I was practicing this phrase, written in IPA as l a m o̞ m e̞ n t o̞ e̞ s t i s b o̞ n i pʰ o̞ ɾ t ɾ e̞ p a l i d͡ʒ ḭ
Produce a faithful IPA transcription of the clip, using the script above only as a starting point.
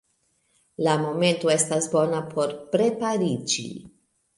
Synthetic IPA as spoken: l a m o̞ m e̞ n t o̞ e̞ s t a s b o̞ n a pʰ o̞ ɾ p ɾ e̞ p a ɾ i d͡ʒ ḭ